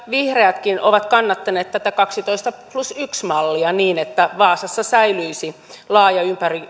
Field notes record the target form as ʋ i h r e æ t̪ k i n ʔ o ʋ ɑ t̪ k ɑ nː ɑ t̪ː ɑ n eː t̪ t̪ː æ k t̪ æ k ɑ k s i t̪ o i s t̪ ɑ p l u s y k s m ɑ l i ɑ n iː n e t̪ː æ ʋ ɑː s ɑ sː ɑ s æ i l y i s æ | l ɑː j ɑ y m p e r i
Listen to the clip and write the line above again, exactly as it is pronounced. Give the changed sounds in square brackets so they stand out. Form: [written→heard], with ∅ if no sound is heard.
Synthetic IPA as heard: ʋ i h r e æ t̪ k i n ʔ o ʋ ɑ t̪ k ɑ nː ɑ t̪ː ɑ n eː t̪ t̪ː æ [k→∅] t̪ æ k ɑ k s i t̪ o i s t̪ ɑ p l u s y k s m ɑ [l→lː] i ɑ n iː n e t̪ː æ ʋ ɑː s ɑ sː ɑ s æ i l y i s [æ→i] | l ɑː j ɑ y m p [e→æ] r i